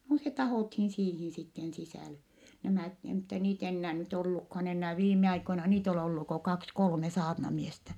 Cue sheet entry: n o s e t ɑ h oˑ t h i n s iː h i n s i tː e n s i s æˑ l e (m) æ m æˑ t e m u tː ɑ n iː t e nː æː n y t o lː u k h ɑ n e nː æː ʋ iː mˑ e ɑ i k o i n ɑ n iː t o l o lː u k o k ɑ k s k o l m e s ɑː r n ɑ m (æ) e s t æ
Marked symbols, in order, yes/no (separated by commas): no, no